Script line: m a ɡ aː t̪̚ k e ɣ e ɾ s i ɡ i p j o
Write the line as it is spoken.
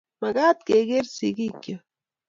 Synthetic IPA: m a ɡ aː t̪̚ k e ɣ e ɾ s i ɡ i k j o

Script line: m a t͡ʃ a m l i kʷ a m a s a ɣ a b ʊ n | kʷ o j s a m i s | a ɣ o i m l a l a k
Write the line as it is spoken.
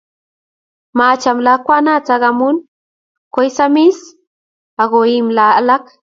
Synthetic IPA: m a t͡ʃ a m l a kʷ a n a t͡s a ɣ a m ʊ n | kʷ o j s a m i s | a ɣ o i m l a l a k

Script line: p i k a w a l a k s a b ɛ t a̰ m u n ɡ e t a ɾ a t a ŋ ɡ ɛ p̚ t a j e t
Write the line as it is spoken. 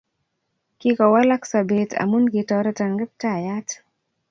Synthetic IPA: k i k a w a l a k s a b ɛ t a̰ m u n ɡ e t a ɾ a t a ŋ ɡ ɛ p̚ t a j a t

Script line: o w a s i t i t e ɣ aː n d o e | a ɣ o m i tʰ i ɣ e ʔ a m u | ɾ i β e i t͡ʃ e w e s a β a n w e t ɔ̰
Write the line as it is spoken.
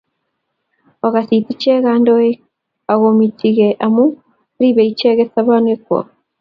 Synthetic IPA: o ɣ a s i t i t͡ʃ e ɣ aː n d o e | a ɣ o m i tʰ i ɣ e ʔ a m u | ɾ i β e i t͡ʃ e ɣ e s a β a n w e k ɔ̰

